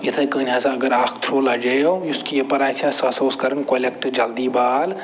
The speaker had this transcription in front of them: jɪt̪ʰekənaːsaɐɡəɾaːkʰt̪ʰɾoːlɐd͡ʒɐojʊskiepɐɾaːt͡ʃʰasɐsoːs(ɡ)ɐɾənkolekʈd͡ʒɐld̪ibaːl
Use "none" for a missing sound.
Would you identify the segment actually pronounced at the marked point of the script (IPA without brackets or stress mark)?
k